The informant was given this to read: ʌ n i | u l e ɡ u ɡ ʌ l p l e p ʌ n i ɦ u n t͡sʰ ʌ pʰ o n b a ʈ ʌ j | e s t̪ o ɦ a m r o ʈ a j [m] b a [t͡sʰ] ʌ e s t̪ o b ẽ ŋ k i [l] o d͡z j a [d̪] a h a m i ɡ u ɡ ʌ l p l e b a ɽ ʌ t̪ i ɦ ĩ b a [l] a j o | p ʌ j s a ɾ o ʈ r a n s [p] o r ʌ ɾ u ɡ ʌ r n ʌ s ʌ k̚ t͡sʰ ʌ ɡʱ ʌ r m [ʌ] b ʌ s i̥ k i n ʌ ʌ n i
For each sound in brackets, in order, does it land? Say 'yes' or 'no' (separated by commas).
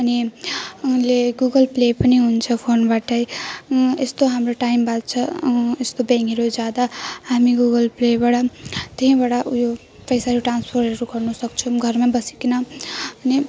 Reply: yes, yes, no, yes, no, no, no